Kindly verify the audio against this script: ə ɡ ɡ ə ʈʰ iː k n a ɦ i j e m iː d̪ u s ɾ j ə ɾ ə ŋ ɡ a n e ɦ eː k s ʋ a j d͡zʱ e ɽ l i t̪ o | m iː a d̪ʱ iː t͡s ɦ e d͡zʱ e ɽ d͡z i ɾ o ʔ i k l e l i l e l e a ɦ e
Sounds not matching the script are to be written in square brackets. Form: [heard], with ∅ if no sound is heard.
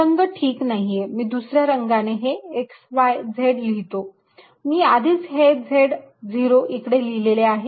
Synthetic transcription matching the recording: ə [ŋ] ɡ ə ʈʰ iː k n a ɦ i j e m iː d̪ u s ɾ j [a] ɾ ə ŋ ɡ a n e ɦ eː k s ʋ a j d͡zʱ e ɽ l i t̪ o | m iː a d̪ʱ iː t͡s ɦ e d͡zʱ e ɽ d͡z i ɾ o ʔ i k [ɽ] e l i l e l e a ɦ e